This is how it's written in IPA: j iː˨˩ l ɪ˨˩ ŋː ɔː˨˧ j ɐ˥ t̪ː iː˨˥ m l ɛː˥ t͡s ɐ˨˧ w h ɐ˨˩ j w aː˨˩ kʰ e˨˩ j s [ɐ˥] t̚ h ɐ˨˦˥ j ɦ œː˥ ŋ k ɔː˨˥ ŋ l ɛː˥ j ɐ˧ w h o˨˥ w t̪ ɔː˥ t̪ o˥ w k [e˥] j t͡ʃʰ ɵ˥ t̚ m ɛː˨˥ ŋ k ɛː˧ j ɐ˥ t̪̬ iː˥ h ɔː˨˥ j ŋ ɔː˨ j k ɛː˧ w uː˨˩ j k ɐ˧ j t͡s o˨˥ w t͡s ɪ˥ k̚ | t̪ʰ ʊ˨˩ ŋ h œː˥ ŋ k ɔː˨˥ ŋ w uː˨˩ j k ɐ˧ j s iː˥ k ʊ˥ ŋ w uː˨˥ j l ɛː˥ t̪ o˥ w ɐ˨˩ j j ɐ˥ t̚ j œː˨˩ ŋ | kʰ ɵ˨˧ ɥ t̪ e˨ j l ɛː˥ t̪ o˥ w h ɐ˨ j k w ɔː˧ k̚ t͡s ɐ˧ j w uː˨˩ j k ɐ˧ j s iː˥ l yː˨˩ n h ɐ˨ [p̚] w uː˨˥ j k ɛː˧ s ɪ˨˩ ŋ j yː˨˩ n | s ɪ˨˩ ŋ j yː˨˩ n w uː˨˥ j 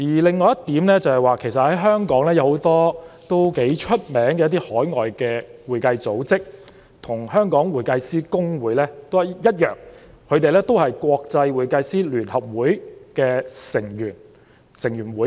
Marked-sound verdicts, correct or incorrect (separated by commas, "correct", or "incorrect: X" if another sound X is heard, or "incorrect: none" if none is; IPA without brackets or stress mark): incorrect: ɐ˨, incorrect: e˨˥, correct